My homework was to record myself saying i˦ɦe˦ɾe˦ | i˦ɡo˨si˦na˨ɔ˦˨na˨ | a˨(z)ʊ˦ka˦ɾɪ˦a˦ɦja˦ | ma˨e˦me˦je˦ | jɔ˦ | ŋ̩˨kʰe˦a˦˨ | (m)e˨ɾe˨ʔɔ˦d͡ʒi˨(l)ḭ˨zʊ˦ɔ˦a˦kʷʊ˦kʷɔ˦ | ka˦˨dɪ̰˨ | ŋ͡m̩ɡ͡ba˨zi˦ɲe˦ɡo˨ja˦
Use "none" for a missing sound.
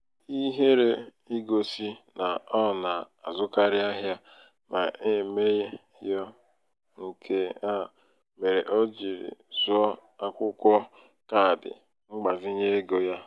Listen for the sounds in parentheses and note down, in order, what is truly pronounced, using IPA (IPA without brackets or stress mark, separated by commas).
z, m, ɾ